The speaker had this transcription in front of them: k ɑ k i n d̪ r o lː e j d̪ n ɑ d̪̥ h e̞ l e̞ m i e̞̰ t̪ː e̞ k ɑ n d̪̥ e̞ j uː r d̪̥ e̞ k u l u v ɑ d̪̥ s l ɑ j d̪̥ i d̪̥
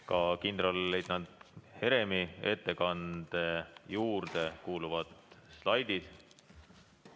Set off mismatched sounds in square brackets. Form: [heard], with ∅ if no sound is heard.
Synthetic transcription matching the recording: k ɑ k i n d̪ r o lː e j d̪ n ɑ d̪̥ h e̞ [ɾ] e̞ m i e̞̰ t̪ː e̞ k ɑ n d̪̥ e̞ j uː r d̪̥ e̞ k [uː] l u v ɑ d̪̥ s l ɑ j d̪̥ i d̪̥